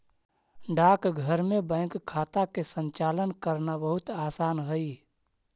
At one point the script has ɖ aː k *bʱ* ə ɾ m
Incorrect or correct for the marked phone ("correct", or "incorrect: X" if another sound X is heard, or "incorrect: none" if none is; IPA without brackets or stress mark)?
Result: incorrect: ɡʱ